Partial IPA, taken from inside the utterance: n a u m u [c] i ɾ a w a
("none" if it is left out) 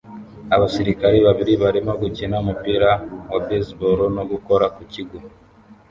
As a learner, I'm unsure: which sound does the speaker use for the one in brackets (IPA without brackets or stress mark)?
p